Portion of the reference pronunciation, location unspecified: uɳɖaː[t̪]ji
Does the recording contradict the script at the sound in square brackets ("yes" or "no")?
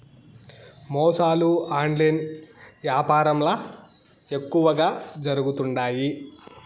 yes